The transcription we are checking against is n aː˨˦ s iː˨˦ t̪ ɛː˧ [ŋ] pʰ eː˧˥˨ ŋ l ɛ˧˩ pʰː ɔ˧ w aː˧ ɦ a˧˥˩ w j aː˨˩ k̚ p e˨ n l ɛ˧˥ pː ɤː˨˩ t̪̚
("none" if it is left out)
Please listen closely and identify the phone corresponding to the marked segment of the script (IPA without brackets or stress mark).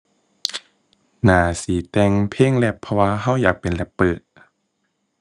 ŋ